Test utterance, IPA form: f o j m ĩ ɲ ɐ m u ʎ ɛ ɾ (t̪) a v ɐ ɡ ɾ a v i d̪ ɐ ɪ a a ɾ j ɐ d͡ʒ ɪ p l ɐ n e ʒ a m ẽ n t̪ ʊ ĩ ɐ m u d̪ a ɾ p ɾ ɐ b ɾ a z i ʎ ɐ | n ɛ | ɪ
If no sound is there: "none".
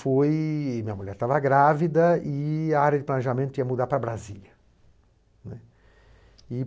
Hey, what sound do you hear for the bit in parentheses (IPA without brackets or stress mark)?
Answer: t̪